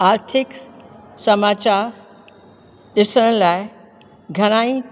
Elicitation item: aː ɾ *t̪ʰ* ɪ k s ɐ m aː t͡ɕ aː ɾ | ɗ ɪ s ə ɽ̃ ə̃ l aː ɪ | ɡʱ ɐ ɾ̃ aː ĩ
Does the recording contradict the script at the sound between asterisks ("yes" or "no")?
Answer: no